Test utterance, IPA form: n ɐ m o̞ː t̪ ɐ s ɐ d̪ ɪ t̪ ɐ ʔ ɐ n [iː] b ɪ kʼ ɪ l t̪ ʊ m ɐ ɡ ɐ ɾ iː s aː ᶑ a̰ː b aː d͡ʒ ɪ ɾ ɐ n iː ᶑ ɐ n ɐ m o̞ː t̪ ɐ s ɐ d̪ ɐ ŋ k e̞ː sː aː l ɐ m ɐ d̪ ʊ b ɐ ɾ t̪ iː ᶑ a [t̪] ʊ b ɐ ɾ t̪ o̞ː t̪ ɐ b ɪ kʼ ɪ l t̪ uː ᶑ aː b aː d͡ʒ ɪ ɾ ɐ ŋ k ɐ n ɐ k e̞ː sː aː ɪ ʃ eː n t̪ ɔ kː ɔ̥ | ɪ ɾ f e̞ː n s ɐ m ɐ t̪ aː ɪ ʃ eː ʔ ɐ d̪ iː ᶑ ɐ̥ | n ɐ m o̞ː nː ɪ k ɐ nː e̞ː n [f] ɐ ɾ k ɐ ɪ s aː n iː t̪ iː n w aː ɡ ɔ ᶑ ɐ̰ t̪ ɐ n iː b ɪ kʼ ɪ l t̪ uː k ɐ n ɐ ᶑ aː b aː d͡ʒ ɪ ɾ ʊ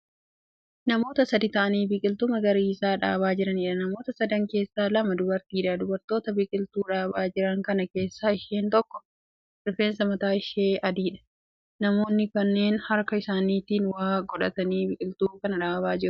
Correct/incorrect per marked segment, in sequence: correct, incorrect: d̪, incorrect: h

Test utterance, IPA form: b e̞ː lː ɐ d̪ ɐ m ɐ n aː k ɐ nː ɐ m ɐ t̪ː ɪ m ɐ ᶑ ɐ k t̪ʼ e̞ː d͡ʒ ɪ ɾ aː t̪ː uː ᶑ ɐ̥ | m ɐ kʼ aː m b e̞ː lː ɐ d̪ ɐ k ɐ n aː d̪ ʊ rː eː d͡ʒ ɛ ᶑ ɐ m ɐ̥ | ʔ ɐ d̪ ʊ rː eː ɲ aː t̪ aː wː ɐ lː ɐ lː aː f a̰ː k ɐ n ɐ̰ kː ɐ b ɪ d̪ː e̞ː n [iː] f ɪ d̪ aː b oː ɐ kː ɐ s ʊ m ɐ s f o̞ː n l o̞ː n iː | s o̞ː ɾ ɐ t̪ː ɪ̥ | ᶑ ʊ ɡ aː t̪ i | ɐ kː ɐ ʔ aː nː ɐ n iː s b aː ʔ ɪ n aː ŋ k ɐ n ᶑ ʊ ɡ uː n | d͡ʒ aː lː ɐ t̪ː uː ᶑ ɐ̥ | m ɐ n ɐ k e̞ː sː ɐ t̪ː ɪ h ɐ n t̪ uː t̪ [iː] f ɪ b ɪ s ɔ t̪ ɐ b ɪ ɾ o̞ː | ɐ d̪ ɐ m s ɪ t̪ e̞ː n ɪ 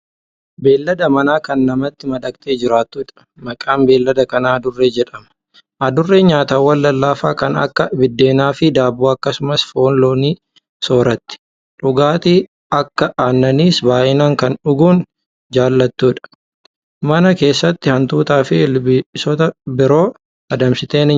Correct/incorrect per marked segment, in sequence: incorrect: aː, incorrect: aː

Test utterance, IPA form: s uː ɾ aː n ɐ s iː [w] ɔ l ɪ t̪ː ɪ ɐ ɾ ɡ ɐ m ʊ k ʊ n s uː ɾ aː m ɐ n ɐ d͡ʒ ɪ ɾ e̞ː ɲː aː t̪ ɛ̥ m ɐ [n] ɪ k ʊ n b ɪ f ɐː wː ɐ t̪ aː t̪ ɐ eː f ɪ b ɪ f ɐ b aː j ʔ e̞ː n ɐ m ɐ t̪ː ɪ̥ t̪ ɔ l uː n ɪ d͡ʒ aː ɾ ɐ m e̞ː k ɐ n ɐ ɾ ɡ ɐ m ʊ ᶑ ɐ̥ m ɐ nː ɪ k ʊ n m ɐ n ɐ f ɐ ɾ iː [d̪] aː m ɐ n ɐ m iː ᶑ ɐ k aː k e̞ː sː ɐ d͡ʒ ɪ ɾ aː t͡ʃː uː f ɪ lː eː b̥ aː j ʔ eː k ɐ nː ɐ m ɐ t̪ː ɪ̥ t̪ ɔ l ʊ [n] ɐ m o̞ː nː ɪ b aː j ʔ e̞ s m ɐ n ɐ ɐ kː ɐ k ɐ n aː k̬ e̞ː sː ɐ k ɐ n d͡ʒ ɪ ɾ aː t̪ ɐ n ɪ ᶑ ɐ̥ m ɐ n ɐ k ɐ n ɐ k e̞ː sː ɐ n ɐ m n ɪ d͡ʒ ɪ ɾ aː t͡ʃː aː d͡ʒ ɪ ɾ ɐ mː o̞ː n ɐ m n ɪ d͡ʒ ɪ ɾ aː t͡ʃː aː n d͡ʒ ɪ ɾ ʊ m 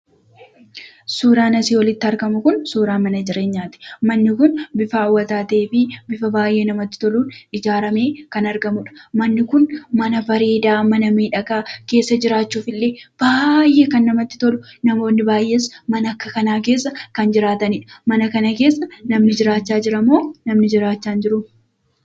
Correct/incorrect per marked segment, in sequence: correct, incorrect: nː, correct, correct

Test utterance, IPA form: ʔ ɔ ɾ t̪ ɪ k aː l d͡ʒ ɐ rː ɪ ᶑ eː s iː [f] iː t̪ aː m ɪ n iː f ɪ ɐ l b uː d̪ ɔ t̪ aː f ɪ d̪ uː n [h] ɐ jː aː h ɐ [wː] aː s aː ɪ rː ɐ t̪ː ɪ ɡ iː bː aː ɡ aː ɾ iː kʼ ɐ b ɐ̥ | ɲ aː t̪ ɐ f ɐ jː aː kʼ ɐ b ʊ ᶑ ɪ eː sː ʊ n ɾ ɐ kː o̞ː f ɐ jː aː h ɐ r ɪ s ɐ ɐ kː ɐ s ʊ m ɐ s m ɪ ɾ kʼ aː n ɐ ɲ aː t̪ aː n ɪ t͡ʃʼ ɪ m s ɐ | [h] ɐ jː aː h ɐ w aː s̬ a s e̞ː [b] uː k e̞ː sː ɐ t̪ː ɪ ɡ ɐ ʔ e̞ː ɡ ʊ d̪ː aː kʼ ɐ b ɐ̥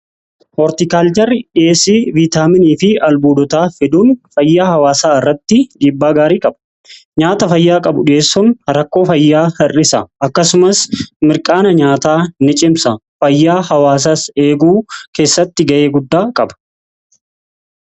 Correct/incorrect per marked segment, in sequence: incorrect: v, incorrect: f, incorrect: w, incorrect: f, incorrect: ɡ

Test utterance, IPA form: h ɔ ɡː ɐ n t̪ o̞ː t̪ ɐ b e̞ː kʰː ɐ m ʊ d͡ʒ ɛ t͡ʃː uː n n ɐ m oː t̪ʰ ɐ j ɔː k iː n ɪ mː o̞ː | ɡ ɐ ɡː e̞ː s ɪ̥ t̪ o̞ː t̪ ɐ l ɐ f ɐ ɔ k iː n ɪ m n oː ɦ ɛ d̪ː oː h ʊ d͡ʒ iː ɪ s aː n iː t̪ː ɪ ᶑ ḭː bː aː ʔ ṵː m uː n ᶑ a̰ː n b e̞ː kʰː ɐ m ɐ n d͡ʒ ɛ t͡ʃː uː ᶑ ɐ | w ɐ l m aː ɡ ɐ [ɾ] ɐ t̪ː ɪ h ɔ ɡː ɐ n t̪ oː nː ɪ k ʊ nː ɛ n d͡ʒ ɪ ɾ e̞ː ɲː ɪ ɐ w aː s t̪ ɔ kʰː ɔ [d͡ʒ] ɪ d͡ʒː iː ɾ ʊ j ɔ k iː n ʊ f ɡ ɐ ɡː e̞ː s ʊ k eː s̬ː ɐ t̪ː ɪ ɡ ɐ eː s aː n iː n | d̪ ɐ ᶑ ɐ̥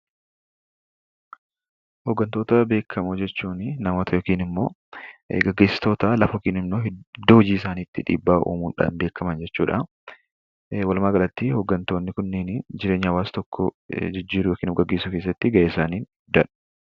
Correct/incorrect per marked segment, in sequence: incorrect: l, correct

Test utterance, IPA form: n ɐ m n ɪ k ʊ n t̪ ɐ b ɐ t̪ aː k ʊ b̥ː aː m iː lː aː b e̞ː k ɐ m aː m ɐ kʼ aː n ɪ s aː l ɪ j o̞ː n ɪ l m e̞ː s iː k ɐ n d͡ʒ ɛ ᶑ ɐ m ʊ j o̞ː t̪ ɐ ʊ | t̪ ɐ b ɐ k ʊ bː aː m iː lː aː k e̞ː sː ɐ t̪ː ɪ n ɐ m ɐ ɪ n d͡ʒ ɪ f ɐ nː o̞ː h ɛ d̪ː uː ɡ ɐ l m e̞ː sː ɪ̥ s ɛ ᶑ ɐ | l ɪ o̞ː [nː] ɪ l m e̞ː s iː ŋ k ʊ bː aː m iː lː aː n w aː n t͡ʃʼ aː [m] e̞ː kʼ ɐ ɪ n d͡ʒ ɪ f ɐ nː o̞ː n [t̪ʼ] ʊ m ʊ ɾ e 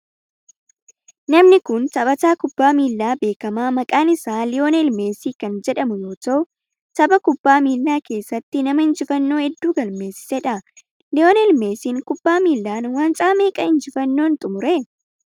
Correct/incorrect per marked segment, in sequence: incorrect: n, correct, correct

